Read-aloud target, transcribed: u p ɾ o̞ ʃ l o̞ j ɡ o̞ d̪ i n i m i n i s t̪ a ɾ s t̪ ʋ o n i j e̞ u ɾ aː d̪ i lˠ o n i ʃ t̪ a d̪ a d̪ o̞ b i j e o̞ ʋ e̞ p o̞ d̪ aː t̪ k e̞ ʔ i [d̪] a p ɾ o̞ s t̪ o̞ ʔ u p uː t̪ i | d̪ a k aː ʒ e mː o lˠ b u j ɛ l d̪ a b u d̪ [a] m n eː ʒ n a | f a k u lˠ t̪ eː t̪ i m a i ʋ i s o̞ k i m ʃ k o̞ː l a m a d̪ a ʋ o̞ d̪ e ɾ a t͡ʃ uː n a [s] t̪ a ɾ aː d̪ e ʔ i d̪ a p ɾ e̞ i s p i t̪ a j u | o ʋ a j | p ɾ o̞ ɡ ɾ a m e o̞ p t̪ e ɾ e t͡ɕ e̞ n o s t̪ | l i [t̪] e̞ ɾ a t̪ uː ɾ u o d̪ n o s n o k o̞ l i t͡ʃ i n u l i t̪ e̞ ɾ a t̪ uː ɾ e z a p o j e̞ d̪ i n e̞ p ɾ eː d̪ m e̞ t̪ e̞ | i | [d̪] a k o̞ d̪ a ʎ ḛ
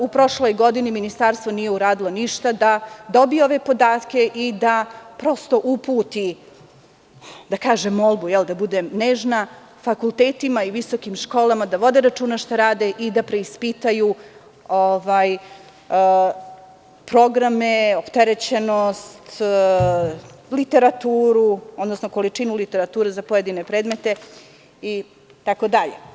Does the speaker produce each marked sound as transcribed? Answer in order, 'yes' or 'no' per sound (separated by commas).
yes, no, no, yes, no